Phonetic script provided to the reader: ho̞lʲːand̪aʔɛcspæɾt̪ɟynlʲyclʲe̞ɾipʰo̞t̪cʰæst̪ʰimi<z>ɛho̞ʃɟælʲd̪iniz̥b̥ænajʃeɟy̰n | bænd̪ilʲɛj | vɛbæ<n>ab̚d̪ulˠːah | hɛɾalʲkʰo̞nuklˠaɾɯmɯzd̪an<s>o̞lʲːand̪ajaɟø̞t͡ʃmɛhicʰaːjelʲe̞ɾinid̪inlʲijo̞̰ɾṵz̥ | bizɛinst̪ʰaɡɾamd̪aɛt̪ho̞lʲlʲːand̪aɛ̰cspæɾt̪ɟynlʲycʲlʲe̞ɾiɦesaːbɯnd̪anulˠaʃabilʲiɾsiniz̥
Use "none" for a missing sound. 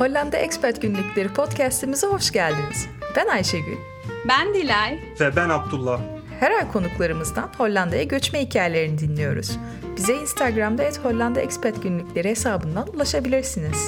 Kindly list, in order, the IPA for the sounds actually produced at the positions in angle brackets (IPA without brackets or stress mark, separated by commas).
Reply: z, n, h